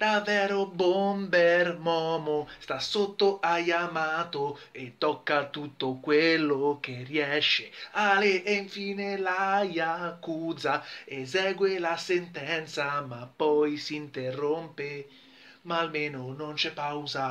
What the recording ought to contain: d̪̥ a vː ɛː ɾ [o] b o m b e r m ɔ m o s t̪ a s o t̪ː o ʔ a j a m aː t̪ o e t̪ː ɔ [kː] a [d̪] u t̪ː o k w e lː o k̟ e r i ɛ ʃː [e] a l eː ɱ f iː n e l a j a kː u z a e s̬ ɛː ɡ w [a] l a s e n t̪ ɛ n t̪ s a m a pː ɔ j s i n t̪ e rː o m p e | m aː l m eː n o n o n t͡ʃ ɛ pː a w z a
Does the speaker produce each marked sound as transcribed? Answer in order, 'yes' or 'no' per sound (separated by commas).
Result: yes, yes, no, yes, no